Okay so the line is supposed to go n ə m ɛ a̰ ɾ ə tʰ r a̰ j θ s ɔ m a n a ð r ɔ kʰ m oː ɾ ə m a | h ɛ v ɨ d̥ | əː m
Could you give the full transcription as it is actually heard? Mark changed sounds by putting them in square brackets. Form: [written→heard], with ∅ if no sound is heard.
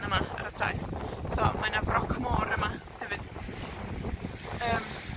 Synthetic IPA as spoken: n ə m [ɛ→a] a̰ ɾ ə tʰ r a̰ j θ s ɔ m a n a [ð→v] r ɔ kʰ m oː ɾ ə m a | h ɛ v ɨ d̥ | əː m